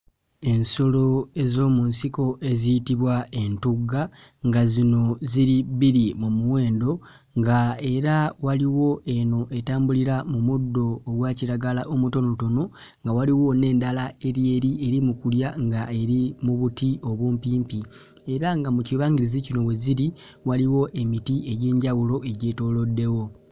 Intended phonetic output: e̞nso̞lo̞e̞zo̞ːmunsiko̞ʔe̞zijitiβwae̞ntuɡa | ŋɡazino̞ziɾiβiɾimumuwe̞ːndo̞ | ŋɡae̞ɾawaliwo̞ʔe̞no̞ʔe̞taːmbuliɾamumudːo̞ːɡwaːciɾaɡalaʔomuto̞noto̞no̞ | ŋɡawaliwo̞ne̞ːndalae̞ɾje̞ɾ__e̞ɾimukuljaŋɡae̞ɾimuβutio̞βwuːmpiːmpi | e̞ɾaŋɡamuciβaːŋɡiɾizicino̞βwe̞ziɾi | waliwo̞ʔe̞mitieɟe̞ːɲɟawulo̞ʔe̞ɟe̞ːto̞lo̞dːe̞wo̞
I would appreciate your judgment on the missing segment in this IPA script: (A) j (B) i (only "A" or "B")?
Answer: B